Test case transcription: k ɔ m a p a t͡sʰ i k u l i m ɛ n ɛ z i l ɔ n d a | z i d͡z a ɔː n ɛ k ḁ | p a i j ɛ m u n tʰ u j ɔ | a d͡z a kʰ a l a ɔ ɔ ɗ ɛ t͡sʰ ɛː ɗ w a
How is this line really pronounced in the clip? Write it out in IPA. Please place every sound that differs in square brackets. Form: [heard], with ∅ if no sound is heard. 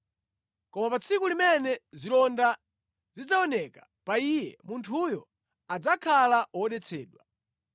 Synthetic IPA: k ɔ m a p a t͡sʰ i k u l i m ɛ n ɛ z i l ɔ n d a | z i d͡z a [ɔ] n ɛ k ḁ | p a i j ɛ m u n tʰ u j ɔ | a d͡z a kʰ a l a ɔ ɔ ɗ ɛ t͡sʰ ɛː ɗ w a

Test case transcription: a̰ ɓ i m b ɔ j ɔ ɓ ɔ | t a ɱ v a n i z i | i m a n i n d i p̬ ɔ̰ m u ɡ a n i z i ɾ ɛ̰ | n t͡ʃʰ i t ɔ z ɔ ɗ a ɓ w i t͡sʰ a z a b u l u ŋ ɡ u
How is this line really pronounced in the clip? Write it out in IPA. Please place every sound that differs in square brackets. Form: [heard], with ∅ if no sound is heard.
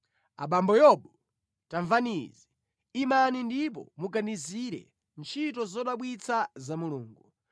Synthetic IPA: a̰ ɓ [a] m b ɔ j ɔ ɓ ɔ | t a ɱ v a n i z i | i m a n i n d i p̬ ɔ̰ m u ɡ a n i z i ɾ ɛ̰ | n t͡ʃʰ i t ɔ z ɔ ɗ a ɓ w i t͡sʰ a z a [m] u l [uː] ŋ ɡ u

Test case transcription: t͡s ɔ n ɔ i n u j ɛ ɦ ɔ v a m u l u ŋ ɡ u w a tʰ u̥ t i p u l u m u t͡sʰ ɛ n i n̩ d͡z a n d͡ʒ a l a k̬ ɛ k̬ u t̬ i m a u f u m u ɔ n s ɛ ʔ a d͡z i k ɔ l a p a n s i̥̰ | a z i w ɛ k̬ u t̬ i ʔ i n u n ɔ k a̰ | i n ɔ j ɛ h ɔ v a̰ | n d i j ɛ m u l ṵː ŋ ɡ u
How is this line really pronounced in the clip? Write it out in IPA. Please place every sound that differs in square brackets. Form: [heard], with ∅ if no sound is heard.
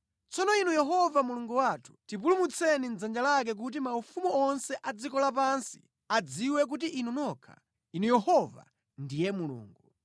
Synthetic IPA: t͡s ɔ n ɔ i n u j ɛ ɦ ɔ v a m u l u ŋ ɡ u w a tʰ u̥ t i p u l u m u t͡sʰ ɛ n i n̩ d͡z a n d͡ʒ a l a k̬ ɛ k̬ u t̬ i m a u f u m u ɔ n s ɛ ʔ a d͡z i k ɔ l a p a n s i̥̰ | a [d͡z] i w ɛ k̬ u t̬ i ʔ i n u n ɔ [kʰ] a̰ | i n [u] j ɛ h ɔ v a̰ | n d i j ɛ m u l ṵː ŋ ɡ u

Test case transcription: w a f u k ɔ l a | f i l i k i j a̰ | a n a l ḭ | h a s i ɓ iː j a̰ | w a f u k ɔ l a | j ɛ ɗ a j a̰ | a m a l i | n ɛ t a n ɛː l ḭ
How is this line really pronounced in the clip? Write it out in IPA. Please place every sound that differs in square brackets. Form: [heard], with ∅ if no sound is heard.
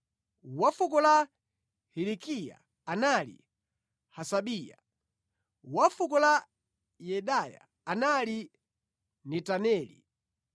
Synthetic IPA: w a f u k ɔ l a | [h] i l i k i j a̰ | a n a l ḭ | h a s [a] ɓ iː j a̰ | w a f u k ɔ l a | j ɛ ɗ a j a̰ | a [n] a l i | n ɛ t a n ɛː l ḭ

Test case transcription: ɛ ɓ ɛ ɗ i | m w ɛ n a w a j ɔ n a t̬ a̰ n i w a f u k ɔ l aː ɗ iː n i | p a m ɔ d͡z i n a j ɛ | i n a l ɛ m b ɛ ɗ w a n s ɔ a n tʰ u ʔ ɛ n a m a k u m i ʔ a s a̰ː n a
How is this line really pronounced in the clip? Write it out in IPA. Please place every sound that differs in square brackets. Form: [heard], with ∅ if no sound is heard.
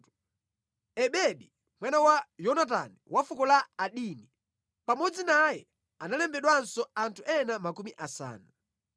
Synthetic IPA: ɛ ɓ ɛ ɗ i | m w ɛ n a w a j ɔ n a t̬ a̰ n i w a f u k ɔ l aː ɗ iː n i | p a m ɔ d͡z i n a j ɛ | [a] n a l ɛ m b ɛ ɗ w a n s ɔ a n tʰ u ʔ ɛ n a m a k u m i ʔ a s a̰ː n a

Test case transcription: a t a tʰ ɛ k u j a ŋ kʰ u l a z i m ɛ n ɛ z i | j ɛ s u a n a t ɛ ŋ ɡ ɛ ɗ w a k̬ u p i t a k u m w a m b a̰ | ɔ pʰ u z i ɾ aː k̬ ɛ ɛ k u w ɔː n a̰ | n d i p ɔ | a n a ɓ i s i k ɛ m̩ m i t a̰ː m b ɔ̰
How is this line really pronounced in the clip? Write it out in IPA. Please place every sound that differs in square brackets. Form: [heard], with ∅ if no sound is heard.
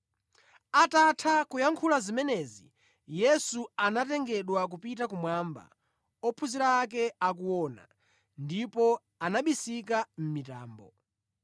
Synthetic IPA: a t a tʰ [a] k u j a ŋ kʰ u l a z i m ɛ n ɛ z i | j ɛ s u a n a t ɛ ŋ ɡ ɛ ɗ w a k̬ u p i t a k u m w a m b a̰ | ɔ pʰ u z i ɾ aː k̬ ɛ [a] k u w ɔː n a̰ | n d i p ɔ | a n a ɓ i s i k [a] m̩ m i t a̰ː m b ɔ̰

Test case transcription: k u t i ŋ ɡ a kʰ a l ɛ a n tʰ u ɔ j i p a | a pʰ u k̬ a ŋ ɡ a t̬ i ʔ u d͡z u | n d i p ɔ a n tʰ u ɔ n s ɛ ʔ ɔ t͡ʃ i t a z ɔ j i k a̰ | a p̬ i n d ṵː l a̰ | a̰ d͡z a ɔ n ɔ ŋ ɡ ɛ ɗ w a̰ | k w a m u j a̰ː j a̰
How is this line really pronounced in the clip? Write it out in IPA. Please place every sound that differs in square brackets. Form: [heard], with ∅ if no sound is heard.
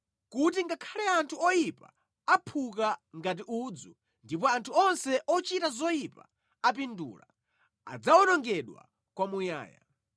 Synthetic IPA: k u t i ŋ ɡ a kʰ a l ɛ a n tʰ u ɔ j i p a | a pʰ u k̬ a ŋ ɡ a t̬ i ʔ u d͡z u | n d i p ɔ a n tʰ u ɔ n s ɛ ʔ ɔ t͡ʃ i t a z ɔ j i [p] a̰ | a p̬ i n d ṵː l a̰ | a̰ d͡z a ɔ n ɔ ŋ ɡ ɛ ɗ w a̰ | k w a m u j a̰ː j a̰

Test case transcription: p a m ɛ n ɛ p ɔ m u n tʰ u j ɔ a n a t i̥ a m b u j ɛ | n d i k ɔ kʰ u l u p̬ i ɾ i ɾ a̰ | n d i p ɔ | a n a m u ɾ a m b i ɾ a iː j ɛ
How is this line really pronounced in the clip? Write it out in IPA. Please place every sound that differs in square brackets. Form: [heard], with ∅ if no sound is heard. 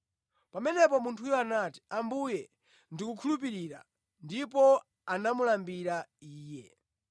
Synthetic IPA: p a m ɛ n ɛ p ɔ m u n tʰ u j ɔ a n a t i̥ a m b u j ɛ | n d i k [u] kʰ u l u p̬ i ɾ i ɾ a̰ | n d i p ɔ | a n a m u [l] a m b i ɾ a iː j ɛ

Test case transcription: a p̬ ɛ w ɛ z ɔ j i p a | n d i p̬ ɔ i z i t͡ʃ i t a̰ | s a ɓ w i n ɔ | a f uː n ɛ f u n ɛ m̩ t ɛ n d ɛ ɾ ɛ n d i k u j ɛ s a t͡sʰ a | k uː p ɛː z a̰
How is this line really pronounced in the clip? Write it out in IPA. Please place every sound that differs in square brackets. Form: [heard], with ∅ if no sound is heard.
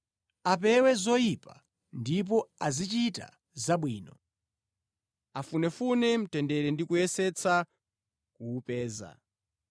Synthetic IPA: a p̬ ɛ w ɛ z ɔ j i p a | n d i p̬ ɔ [a] z i t͡ʃ i t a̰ | [z] a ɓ w [iː] n ɔ | a f [u] n ɛ f u n ɛ m̩ t ɛ n d ɛ ɾ ɛ n d i k u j ɛ s [ɛ] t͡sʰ a | k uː p ɛː z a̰

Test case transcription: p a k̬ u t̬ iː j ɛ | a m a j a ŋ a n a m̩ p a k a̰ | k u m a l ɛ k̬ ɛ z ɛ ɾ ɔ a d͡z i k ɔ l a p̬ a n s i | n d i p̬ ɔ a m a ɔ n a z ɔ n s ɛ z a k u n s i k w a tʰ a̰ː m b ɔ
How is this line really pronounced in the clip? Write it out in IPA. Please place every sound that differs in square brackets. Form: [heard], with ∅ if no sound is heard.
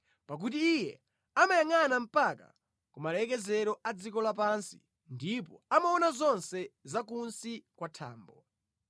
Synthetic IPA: p a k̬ u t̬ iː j ɛ | a m a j a ŋ a n a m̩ p a k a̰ | k u m a l ɛ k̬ ɛ z ɛ ɾ ɔ a d͡z i k ɔ l a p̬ a n s i | n d i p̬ ɔ a m a ɔ n a z ɔ n s ɛ z a k u n s i k w a tʰ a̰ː m b ɔ

